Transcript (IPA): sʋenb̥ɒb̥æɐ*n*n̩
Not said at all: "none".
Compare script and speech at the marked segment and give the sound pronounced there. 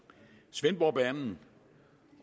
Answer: n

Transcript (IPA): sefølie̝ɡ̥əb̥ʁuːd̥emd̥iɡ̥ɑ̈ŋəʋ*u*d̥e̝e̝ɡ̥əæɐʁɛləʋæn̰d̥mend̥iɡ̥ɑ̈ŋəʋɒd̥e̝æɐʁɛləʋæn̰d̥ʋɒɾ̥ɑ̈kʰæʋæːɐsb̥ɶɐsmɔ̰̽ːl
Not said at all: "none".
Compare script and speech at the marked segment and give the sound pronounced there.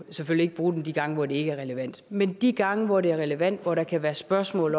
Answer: ɒ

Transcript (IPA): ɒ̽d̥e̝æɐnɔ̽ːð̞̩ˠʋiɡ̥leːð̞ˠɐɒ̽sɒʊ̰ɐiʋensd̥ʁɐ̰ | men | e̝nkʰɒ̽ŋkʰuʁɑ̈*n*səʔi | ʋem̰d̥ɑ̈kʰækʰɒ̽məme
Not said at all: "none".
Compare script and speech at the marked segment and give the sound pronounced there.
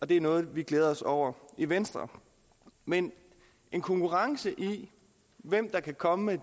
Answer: ŋ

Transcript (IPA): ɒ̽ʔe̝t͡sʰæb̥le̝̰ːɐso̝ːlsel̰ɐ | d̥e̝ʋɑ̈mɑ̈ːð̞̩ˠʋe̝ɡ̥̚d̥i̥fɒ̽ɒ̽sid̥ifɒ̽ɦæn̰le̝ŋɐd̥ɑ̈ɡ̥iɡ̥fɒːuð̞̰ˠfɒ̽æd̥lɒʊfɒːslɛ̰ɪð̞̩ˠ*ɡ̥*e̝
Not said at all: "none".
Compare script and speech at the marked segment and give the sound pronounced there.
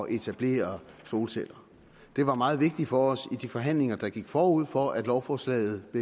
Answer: b̥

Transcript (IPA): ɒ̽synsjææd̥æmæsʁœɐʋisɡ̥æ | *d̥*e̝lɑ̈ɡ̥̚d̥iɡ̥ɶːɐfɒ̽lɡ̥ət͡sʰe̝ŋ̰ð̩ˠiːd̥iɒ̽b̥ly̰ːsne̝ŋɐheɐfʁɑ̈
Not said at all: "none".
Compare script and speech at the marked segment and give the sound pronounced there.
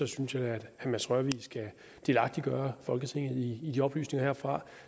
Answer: d̥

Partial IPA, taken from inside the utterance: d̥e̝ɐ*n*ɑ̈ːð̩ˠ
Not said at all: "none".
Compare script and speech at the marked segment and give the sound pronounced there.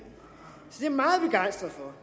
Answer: m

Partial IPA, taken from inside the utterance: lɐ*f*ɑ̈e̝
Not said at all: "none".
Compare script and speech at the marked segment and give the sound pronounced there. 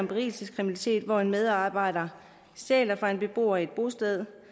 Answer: f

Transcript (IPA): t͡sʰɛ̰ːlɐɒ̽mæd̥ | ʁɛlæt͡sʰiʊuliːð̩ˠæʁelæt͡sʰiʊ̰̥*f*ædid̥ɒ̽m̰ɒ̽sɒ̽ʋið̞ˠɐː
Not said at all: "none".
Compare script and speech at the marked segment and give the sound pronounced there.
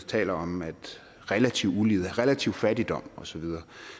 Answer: f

